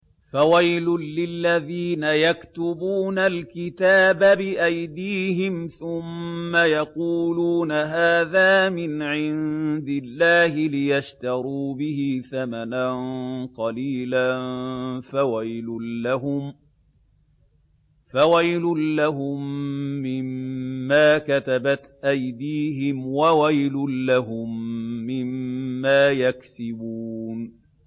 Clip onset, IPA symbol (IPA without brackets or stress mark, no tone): f